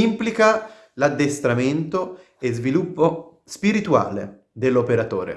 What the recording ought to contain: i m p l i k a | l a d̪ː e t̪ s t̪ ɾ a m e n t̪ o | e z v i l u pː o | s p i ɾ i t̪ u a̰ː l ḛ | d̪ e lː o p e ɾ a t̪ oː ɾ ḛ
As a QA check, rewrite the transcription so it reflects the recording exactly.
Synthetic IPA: i m p l i k a | l a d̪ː e s t̪ ɾ a m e n t̪ o | e z v i l u pː o | s p i ɾ i t̪ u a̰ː l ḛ | d̪ e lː o p e ɾ a t̪ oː ɾ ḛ